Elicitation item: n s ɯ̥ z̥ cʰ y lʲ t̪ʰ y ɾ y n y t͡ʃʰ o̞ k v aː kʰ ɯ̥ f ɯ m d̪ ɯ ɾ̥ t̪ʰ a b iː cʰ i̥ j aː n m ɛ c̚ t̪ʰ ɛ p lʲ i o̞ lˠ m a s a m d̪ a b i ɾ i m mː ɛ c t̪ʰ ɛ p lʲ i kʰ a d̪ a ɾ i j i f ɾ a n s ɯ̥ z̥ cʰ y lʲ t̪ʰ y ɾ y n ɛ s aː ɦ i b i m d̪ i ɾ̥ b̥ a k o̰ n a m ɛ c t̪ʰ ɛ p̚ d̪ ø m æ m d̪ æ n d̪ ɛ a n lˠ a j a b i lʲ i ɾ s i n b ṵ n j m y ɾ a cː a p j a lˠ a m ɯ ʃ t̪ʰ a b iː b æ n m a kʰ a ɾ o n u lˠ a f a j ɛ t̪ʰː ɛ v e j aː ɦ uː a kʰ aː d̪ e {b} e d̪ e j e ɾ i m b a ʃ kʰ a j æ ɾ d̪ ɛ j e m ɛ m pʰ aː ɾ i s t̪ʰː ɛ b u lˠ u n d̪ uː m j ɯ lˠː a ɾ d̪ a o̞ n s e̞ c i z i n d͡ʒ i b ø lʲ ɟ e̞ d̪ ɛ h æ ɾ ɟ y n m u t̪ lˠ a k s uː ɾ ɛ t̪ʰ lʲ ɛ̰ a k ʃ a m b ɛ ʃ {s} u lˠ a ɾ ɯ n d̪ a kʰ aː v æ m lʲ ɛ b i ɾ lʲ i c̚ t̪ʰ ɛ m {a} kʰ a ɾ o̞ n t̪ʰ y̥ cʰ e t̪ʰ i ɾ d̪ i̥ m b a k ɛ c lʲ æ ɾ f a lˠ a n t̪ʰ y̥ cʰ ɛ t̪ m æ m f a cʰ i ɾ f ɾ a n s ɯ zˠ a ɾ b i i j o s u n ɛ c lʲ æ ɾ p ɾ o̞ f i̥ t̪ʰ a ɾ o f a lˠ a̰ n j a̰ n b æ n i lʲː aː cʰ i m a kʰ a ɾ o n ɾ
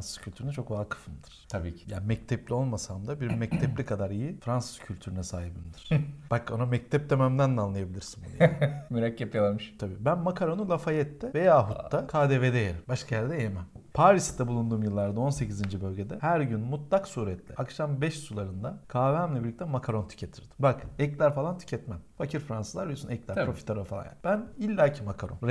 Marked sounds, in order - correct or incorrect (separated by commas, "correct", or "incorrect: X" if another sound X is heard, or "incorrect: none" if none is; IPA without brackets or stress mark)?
incorrect: v, correct, correct